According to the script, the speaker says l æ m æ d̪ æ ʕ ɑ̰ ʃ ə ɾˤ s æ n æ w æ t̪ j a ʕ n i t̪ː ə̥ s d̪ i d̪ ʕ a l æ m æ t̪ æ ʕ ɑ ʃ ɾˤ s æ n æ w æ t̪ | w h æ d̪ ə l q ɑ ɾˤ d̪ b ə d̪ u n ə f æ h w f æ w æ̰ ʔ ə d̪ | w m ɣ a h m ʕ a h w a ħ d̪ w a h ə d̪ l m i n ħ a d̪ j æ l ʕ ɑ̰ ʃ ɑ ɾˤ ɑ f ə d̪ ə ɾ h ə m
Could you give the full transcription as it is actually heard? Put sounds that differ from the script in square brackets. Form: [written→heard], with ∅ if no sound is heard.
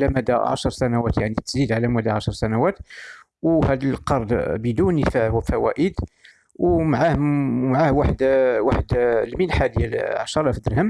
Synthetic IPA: l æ m æ d̪ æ ʕ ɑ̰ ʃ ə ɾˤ s æ n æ w æ t̪ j a ʕ n i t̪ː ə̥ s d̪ i d̪ ʕ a l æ m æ [t̪→d̪] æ ʕ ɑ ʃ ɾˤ s æ n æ w æ t̪ | w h æ d̪ ə l q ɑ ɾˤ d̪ b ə d̪ u n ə f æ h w f æ w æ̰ ʔ ə d̪ | w m [ɣ→ʕ] a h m ʕ a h w a ħ d̪ w a [h→ħ] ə d̪ l m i n ħ a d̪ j æ l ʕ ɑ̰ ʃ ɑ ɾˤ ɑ f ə d̪ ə ɾ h ə m